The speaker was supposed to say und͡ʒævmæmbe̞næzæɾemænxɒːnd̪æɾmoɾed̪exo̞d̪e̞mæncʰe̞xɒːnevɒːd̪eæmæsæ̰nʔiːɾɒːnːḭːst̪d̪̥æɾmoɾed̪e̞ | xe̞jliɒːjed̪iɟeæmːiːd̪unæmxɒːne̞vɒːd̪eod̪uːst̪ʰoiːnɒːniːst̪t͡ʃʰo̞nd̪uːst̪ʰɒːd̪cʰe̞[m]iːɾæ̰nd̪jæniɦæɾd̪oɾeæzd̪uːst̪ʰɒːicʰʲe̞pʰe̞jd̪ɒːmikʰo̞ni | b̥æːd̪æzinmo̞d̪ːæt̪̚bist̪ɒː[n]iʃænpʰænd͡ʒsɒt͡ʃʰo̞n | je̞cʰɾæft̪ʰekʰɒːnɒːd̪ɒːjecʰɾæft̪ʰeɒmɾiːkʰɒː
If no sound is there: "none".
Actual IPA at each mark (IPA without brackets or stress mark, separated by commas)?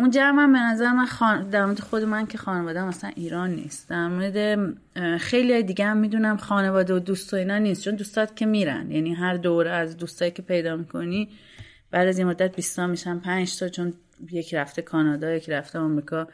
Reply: m, m